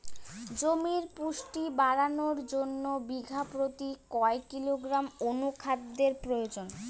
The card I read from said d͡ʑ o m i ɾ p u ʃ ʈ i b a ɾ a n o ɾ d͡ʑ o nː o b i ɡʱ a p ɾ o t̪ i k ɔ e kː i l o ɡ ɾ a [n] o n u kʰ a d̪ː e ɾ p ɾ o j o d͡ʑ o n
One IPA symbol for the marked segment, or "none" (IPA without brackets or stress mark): m